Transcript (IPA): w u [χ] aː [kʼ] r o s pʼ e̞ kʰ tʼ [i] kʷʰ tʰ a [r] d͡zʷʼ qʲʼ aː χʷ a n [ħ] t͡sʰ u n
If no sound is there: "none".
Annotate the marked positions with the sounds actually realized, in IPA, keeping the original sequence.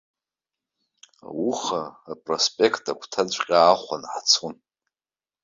χ, pʼ, a, none, ħ

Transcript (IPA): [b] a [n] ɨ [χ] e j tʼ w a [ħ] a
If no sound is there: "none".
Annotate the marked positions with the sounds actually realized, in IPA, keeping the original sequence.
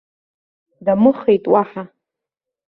d, m, χ, ħ

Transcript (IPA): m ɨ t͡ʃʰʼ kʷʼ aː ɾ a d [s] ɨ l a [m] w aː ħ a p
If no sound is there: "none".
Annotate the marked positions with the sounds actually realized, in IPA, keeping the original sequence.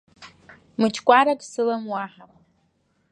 s, m

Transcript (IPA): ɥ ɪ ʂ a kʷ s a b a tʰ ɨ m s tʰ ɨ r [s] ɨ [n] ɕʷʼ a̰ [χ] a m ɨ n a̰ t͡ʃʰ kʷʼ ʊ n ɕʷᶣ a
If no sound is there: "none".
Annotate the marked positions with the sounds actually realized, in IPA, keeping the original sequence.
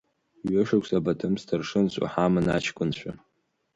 ʂ, n, ħ

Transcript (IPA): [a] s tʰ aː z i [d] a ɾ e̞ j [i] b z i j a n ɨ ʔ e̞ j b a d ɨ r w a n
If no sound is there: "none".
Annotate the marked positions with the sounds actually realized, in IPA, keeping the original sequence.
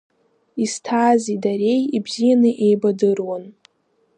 i, d, i

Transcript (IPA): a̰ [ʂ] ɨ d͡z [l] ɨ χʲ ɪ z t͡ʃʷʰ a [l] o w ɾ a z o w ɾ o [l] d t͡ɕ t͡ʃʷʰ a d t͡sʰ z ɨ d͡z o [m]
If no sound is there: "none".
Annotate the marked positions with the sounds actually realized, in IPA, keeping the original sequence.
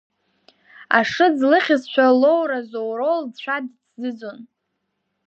ʂ, l, l, l, n

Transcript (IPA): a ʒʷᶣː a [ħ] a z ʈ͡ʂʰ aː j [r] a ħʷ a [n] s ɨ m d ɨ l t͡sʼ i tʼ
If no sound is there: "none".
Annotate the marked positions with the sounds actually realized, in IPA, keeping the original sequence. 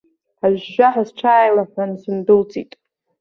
ħ, l, n

